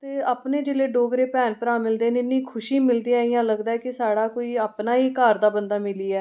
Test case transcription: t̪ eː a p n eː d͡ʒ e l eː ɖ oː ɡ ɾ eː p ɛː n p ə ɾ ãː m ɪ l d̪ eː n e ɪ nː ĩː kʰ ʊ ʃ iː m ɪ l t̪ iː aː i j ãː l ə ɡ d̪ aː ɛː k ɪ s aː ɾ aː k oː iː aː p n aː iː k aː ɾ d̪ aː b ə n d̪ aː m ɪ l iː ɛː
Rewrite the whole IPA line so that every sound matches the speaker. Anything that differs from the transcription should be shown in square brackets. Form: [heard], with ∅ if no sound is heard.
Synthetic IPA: t̪ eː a p n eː d͡ʒ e l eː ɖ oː ɡ ɾ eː p ɛː n p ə ɾ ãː m ɪ l d̪ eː n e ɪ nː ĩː kʰ ʊ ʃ iː m ɪ l [d̪] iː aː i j ãː l ə ɡ d̪ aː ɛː k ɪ s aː [ɽ] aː k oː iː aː p n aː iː k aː ɾ d̪ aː b ə n d̪ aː m ɪ l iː ɛː

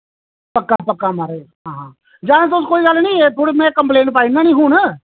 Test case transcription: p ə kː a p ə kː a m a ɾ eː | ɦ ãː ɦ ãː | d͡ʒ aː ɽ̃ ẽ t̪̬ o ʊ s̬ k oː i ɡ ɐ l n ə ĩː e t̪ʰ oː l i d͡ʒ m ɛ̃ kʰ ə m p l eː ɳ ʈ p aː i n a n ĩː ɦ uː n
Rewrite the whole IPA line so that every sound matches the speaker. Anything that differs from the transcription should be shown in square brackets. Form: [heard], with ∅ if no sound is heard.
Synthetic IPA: p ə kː a p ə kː a m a ɾ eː | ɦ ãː ɦ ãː | d͡ʒ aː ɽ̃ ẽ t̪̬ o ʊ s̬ k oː i ɡ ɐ l n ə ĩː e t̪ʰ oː [ɽ] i [∅] m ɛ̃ [k] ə m p l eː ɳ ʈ p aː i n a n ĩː ɦ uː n

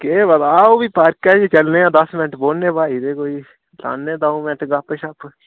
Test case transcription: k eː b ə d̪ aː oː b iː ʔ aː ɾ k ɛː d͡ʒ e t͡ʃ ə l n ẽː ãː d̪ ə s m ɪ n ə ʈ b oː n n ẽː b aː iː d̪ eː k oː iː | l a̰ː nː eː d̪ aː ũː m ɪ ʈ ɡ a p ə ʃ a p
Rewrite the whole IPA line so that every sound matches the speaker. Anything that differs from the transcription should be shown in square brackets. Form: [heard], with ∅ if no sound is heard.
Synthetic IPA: k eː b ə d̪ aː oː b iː [p] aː ɾ k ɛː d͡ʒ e t͡ʃ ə l n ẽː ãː d̪ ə s m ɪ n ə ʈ b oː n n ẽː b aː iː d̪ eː k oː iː | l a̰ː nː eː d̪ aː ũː m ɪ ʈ ɡ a p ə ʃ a p

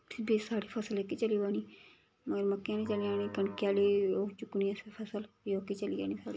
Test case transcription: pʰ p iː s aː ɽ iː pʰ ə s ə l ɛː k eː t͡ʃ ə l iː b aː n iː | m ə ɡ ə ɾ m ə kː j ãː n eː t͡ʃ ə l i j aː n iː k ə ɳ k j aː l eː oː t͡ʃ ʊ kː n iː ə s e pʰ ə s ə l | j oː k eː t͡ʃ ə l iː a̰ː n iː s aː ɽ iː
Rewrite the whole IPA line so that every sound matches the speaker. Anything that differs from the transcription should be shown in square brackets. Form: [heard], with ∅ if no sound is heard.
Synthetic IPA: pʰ [b] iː s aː ɽ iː pʰ ə s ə l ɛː k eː t͡ʃ ə l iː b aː n iː | m ə ɡ ə ɾ m ə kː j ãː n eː t͡ʃ ə l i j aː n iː k ə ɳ k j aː l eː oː t͡ʃ ʊ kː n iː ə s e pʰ ə s ə l | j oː k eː t͡ʃ ə l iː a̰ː n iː s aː ɽ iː

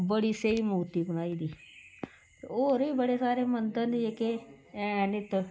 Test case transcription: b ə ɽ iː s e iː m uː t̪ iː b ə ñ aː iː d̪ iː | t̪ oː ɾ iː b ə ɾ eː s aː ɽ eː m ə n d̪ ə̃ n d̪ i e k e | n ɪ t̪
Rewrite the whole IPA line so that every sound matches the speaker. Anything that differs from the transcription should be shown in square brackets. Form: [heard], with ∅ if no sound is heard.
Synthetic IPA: b ə ɽ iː s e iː m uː t̪ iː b ə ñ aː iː d̪ iː | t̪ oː ɾ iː b ə [ɽ] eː s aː [ɾ] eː m ə n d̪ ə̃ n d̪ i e k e | n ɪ t̪

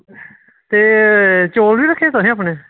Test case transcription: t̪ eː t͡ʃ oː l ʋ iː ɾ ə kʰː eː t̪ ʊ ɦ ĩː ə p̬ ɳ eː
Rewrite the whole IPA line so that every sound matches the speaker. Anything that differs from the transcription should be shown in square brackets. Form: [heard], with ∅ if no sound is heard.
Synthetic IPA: t̪ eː t͡ʃ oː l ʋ iː ɾ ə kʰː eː t̪ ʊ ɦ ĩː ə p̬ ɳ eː

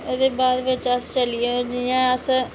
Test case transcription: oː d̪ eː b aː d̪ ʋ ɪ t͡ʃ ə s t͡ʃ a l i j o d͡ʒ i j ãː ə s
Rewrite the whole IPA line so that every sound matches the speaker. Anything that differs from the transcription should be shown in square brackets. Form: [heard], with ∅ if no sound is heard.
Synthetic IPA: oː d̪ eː b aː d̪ ʋ ɪ t͡ʃ ə s t͡ʃ [ə] l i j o d͡ʒ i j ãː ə s

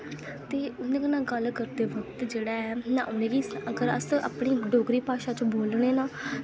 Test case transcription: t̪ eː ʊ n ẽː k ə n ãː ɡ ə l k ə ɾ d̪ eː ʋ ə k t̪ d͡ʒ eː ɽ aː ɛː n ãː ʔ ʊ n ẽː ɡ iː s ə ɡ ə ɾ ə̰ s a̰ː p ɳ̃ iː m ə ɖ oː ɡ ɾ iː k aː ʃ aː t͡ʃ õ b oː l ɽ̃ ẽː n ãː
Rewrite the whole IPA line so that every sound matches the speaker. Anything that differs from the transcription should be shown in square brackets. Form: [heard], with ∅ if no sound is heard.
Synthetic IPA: t̪ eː ʊ n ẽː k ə n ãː ɡ ə l k ə ɾ d̪ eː ʋ ə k t̪ d͡ʒ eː ɽ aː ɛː n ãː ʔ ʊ n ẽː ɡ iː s ə ɡ ə ɾ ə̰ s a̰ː p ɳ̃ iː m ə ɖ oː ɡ ɾ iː [p] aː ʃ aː t͡ʃ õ b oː l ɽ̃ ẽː n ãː

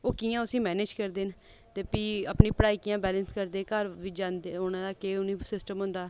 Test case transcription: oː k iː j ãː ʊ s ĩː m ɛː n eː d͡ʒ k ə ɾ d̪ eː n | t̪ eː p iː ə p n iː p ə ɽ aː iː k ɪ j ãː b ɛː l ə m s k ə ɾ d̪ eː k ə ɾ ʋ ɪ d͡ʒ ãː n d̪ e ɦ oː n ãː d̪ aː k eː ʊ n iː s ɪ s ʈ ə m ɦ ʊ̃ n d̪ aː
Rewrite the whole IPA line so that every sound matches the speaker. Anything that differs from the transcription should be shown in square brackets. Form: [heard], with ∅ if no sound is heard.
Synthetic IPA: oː k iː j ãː ʊ s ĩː m ɛː n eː d͡ʒ k ə ɾ d̪ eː n | t̪ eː p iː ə p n iː p ə ɽ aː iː k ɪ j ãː b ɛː l ə [n] s k ə ɾ d̪ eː k ə ɾ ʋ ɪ d͡ʒ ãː n d̪ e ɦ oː n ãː d̪ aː k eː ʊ n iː s ɪ s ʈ ə m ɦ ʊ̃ n d̪ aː

